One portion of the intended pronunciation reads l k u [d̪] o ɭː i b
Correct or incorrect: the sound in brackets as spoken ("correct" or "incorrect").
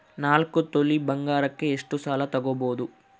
incorrect